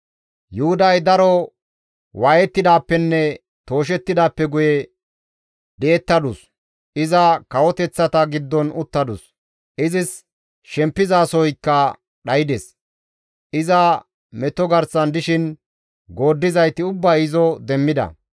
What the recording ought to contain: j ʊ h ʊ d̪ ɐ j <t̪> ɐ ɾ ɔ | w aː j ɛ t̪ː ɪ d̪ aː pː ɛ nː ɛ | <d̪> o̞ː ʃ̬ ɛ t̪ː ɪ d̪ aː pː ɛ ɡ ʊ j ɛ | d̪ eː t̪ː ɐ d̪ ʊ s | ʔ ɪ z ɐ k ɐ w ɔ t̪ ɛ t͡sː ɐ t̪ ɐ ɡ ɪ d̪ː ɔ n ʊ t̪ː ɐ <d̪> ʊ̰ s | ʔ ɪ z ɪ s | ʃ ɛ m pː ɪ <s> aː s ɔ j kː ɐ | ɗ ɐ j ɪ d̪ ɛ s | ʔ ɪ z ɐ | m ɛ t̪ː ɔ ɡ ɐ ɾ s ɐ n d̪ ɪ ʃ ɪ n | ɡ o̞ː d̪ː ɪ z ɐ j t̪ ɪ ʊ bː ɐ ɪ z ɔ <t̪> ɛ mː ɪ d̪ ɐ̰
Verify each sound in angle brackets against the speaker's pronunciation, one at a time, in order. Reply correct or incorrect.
incorrect: d̪, incorrect: t̪, correct, incorrect: z, incorrect: d̪

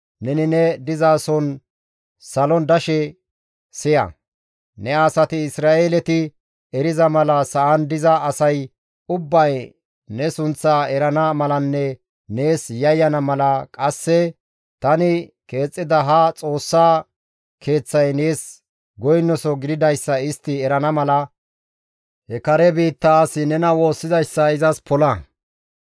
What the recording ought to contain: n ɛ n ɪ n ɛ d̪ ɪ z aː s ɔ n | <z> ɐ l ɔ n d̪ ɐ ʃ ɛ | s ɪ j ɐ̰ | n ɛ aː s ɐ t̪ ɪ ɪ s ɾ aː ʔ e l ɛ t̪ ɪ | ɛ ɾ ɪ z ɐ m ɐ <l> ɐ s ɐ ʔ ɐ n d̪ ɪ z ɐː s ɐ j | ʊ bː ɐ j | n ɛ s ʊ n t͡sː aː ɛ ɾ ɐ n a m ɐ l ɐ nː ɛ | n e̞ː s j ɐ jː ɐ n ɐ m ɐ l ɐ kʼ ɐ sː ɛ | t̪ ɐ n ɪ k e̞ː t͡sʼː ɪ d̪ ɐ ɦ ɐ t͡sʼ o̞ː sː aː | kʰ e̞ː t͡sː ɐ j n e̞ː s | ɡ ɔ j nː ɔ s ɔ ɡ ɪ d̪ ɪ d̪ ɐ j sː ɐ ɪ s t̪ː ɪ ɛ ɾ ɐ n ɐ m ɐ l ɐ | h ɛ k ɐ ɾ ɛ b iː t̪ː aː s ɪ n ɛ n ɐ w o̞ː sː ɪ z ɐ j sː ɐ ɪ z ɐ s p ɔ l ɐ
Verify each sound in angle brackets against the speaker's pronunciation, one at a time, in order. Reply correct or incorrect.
incorrect: s, correct

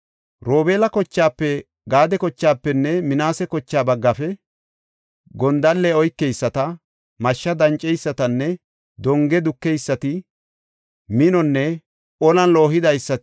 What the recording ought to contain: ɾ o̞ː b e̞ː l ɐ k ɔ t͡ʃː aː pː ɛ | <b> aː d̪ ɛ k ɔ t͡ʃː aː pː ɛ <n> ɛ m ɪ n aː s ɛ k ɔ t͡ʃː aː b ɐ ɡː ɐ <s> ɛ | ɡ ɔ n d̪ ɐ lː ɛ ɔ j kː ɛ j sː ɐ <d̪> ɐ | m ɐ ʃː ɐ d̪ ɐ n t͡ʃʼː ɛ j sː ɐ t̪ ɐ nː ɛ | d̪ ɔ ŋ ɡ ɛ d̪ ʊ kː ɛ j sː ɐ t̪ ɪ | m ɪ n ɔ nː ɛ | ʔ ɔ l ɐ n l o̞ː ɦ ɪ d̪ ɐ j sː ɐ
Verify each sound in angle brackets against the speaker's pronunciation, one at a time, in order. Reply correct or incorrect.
incorrect: ɡ, incorrect: nː, incorrect: f, incorrect: t̪

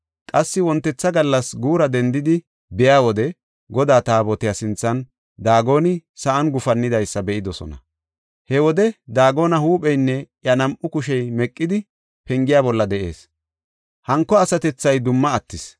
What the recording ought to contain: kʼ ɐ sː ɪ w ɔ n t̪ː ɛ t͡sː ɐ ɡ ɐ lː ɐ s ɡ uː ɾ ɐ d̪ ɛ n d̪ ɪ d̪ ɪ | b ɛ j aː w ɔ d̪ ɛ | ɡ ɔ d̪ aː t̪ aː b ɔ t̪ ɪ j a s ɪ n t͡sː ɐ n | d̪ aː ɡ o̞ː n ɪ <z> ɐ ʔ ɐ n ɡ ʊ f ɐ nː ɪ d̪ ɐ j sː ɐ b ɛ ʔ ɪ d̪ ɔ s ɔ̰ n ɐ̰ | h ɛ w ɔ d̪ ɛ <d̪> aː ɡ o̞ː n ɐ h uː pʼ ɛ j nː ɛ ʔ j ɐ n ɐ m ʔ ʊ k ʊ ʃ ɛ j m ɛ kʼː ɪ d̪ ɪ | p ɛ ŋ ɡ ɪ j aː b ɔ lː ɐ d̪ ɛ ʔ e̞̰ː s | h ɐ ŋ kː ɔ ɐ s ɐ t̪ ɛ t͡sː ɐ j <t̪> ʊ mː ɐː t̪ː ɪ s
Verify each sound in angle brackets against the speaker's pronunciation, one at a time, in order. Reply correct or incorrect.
incorrect: s, correct, incorrect: d̪

